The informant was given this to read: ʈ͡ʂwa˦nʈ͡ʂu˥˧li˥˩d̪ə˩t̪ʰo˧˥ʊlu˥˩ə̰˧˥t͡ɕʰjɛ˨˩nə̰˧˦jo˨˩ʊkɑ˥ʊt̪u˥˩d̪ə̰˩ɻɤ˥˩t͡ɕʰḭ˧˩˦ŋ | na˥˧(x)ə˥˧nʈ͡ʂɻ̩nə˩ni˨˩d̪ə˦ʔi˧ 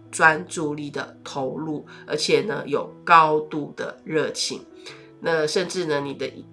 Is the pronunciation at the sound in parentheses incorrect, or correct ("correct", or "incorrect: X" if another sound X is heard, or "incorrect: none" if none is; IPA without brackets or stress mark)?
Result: incorrect: ʂ